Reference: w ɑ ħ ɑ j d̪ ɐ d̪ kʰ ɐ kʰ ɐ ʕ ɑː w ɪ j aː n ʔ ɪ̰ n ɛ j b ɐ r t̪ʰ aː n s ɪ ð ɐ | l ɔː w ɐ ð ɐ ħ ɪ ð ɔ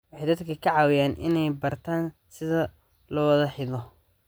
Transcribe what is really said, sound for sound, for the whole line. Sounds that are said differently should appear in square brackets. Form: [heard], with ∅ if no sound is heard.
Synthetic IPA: w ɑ ħ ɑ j d̪ ɐ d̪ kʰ ɐ kʰ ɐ ʕ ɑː w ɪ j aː n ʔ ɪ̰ n ɛ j b ɐ r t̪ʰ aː n s ɪ ð ɐ | l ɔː w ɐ ð ɐ ħ ɪ ð ɔ